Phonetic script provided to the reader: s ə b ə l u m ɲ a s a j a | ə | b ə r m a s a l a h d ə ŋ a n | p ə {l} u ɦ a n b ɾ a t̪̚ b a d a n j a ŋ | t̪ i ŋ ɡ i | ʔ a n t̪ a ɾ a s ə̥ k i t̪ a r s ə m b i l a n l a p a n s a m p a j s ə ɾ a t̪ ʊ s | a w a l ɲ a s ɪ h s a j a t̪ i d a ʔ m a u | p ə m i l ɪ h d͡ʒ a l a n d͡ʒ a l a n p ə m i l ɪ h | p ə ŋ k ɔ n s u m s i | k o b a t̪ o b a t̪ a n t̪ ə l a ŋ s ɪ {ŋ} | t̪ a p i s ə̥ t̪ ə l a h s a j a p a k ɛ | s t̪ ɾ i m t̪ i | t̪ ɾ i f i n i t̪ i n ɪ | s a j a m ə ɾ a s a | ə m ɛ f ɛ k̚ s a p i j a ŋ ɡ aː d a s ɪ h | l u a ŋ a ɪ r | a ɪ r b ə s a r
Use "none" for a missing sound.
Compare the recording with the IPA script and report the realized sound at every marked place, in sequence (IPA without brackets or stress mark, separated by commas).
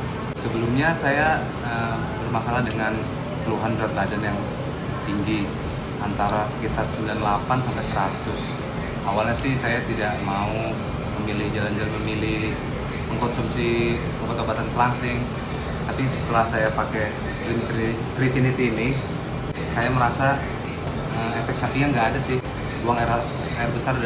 l, ŋ